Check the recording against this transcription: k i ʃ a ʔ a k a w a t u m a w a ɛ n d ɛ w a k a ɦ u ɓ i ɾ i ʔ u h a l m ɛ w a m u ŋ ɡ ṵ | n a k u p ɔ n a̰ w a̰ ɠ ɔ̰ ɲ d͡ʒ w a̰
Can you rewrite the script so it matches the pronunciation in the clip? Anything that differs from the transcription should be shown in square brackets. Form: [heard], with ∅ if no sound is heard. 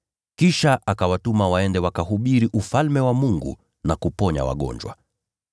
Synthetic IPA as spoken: k i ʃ a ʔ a k a w a t u m a w a ɛ n d ɛ w a k a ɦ u ɓ i ɾ i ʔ u [f] a l m ɛ w a m u ŋ ɡ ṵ | n a k u p ɔ [ɲ] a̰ w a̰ ɠ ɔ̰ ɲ d͡ʒ w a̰